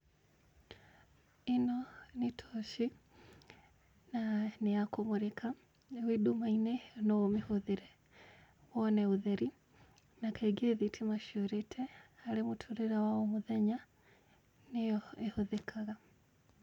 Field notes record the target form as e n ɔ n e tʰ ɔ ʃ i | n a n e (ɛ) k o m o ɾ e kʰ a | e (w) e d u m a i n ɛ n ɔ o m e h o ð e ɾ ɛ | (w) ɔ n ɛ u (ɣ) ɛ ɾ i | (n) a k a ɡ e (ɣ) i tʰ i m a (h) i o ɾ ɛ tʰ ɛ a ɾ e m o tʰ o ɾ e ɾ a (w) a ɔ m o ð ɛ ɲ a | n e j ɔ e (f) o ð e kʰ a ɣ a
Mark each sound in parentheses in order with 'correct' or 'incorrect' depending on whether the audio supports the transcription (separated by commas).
incorrect, correct, correct, incorrect, correct, incorrect, incorrect, correct, incorrect